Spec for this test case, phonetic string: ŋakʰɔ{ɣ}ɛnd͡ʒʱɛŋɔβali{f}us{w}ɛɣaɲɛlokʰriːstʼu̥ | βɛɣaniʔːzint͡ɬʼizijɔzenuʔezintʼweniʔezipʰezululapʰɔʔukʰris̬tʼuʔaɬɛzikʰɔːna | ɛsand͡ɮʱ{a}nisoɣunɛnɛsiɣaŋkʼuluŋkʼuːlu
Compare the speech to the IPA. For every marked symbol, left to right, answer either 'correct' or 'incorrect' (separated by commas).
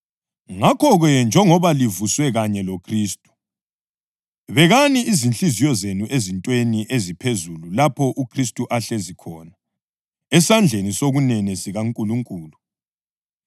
correct, incorrect, correct, incorrect